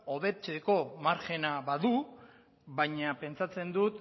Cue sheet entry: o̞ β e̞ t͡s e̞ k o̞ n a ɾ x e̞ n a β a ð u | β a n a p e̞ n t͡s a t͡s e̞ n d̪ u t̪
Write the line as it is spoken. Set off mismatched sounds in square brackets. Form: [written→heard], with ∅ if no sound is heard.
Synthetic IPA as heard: o̞ β e̞ t͡s e̞ k o̞ [n→m] a ɾ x e̞ n a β a ð u | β a [n→ɲ] a p e̞ n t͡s a t͡s e̞ n d̪ u t̪